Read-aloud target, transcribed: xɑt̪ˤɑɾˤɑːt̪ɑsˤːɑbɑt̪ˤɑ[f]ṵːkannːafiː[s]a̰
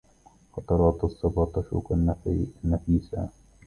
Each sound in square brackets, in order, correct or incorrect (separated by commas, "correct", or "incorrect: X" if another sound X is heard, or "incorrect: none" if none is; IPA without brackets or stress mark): incorrect: ʃ, correct